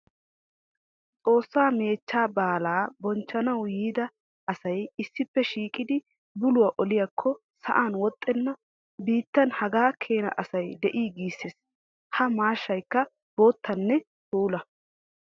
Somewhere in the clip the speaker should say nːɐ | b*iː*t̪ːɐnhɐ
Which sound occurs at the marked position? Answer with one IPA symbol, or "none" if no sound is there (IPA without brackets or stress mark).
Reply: iː